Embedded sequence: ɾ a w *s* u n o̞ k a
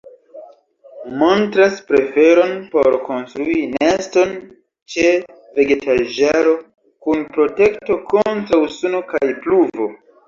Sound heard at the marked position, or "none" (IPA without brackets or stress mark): s